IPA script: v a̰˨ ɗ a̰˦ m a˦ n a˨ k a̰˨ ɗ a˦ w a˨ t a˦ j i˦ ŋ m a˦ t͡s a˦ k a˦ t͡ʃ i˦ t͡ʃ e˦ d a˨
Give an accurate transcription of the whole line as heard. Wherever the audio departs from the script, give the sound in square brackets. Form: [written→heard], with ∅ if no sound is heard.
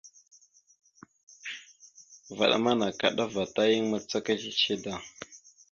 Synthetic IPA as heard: v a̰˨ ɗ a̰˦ m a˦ n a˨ k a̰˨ ɗ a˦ [w→v] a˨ t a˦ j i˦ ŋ m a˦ t͡s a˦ k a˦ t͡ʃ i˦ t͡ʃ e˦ d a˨